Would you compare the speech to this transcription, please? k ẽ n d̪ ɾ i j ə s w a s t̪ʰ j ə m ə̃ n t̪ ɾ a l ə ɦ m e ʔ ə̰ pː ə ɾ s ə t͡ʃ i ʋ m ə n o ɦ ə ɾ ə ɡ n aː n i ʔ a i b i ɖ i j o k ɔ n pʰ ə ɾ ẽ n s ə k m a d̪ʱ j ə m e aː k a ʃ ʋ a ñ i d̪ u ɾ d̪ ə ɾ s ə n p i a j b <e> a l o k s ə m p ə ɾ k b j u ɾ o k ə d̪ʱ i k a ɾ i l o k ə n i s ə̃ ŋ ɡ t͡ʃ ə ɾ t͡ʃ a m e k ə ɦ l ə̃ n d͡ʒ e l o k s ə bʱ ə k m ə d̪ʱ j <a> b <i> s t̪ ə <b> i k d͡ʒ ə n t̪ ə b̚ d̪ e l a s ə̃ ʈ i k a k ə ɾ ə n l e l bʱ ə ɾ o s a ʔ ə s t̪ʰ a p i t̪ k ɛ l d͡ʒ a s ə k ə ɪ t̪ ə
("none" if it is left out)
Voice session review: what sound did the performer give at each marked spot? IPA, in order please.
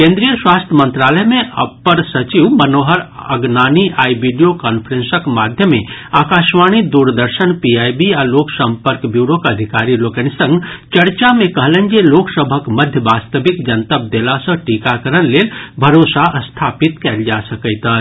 i, ə, a, b

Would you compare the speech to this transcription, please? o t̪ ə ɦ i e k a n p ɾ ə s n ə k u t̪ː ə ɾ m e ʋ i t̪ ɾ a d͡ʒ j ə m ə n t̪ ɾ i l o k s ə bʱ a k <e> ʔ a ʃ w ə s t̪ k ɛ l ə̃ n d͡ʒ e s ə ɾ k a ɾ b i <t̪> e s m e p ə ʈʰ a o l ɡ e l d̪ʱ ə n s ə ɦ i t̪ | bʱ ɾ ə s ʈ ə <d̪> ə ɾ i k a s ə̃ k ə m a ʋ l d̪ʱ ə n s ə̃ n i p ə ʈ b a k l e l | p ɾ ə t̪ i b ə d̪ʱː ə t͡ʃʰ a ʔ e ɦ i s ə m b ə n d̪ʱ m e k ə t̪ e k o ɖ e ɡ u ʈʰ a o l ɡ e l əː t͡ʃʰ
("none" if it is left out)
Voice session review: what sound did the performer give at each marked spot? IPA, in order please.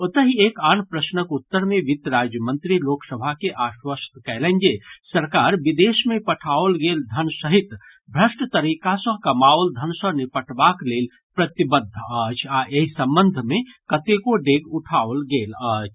e, d̪, t̪

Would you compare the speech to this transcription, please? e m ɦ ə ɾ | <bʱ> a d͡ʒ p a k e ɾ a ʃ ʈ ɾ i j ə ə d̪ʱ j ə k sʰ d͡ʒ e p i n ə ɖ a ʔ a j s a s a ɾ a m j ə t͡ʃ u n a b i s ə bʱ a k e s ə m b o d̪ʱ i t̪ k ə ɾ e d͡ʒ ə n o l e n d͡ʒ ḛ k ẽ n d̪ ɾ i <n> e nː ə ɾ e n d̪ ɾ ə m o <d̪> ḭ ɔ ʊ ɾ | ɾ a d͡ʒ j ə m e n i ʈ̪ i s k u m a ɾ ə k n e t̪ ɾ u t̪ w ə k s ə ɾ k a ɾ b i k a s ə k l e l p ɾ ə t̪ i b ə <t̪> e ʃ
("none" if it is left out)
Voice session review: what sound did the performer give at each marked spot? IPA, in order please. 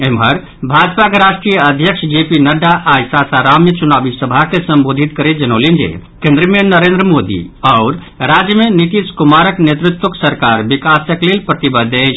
bʱ, m, d̪, d̪

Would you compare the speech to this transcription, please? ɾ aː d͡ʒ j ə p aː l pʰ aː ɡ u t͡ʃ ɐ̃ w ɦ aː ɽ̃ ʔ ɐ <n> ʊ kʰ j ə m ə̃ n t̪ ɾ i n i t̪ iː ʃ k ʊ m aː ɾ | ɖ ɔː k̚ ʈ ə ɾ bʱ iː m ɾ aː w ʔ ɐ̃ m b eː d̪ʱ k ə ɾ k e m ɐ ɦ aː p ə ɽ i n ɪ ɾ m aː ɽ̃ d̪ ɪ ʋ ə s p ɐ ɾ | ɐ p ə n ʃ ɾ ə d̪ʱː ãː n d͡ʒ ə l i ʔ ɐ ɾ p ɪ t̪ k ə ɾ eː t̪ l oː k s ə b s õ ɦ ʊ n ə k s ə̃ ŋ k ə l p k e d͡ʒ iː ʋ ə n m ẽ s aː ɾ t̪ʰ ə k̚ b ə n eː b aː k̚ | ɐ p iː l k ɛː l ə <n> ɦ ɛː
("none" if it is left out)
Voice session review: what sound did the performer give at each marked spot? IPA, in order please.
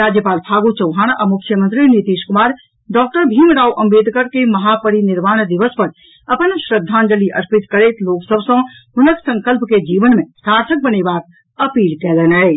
m, n

